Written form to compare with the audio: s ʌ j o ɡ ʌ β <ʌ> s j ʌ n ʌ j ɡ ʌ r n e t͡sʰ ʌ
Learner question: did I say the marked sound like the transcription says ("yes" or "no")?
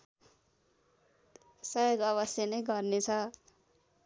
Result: yes